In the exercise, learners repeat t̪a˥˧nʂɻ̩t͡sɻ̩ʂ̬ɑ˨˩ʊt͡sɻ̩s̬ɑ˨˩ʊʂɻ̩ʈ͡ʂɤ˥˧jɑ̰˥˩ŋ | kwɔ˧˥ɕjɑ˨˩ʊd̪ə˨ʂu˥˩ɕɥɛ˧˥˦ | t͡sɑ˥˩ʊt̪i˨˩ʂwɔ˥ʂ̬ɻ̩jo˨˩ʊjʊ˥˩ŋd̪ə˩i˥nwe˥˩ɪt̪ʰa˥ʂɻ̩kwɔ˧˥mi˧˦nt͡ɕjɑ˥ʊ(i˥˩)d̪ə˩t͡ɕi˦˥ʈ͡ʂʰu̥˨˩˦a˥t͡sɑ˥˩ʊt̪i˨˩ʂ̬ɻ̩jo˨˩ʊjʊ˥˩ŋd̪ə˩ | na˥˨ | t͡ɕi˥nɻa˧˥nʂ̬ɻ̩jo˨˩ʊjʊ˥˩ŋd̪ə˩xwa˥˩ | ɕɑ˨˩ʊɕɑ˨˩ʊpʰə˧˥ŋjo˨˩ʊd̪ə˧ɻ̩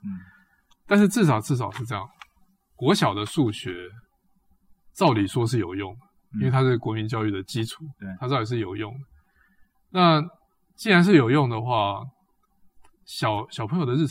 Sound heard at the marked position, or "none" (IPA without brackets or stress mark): y˥˩